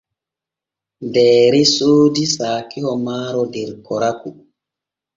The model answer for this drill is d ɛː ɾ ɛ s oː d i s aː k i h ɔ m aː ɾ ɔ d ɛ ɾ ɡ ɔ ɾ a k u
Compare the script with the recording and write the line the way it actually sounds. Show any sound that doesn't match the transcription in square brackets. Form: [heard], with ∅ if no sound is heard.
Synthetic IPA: d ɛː ɾ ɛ s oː d i s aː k i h ɔ m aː ɾ ɔ d ɛ ɾ [k] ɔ ɾ a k u